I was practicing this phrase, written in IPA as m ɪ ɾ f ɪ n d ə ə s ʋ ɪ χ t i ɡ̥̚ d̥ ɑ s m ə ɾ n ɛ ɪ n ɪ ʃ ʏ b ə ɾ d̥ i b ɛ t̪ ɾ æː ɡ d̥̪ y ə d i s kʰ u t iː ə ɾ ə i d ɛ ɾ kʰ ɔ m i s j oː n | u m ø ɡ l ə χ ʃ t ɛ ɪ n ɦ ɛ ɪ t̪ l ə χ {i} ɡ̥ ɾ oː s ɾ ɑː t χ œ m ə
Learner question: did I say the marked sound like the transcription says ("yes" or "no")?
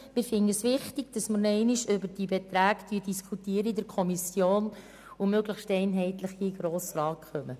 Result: yes